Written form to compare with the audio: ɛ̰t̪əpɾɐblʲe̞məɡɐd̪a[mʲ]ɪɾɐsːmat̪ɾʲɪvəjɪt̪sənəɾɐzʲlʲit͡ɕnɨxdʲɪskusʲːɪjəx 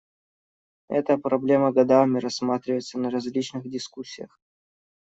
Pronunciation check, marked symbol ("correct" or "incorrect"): correct